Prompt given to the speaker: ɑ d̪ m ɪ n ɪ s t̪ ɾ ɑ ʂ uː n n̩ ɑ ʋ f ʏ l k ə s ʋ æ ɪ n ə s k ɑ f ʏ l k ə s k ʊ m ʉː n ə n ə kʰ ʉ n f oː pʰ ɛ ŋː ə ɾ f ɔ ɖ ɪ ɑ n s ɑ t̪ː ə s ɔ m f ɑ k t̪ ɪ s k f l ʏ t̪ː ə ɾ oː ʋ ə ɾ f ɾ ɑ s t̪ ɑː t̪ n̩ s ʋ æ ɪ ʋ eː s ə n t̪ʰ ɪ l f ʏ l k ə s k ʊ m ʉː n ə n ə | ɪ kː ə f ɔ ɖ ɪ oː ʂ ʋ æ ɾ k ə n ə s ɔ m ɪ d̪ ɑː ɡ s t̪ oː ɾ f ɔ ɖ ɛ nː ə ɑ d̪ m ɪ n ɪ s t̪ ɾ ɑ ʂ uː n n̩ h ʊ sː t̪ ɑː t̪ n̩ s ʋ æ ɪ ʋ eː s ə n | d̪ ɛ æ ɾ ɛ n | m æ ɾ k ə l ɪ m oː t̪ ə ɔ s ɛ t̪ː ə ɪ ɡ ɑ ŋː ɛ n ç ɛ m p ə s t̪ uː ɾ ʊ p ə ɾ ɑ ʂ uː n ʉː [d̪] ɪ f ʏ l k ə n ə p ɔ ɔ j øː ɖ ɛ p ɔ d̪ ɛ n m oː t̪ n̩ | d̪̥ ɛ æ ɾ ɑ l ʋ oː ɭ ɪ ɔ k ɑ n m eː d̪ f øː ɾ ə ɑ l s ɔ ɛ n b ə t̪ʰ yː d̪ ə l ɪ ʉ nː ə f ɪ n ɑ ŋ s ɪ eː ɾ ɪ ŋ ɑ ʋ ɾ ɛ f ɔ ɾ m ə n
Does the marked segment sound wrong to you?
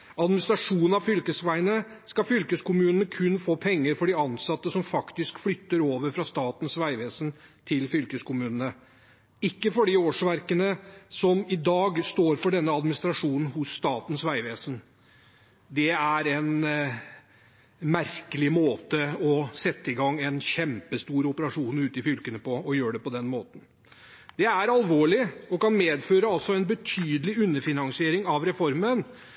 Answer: yes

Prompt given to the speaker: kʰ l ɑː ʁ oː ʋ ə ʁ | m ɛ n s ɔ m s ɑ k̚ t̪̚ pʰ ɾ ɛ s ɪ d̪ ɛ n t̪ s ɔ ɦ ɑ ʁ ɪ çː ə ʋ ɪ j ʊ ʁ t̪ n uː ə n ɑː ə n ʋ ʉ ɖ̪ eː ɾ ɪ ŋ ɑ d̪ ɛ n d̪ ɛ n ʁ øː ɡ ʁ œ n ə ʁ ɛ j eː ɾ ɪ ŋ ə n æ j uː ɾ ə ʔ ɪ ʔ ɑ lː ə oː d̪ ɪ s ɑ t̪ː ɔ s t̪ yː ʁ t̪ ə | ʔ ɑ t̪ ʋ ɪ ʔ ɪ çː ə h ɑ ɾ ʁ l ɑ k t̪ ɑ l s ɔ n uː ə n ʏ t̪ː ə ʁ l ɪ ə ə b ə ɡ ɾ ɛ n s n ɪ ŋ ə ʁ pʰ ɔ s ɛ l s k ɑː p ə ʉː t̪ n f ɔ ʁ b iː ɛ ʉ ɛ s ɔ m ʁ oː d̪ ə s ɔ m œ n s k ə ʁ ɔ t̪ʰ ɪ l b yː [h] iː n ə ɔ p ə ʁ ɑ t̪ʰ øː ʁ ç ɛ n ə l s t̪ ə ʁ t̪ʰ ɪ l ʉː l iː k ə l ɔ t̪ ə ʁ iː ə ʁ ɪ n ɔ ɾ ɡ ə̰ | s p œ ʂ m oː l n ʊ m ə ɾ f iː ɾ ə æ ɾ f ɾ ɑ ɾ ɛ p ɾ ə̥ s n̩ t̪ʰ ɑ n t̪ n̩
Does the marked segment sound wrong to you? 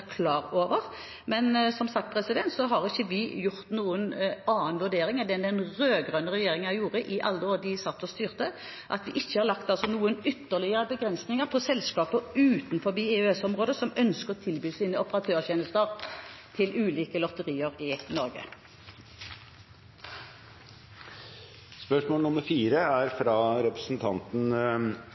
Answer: yes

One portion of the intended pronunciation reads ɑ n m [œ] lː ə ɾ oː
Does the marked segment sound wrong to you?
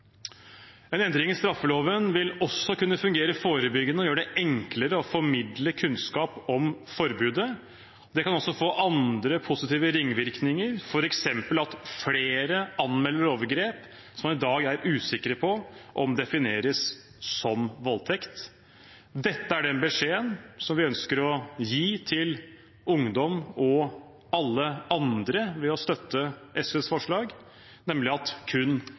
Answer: yes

